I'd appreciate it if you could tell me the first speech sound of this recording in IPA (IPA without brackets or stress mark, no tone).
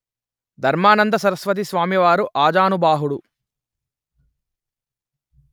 d̪ʱ